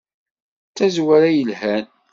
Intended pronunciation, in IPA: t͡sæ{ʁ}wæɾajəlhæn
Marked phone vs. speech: incorrect: z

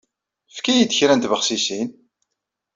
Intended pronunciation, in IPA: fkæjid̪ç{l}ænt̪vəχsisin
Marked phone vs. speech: incorrect: ɾ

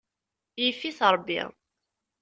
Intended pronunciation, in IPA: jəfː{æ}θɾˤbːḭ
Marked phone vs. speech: incorrect: i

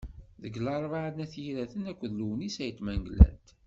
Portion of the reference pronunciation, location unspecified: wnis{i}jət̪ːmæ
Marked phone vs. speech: incorrect: æ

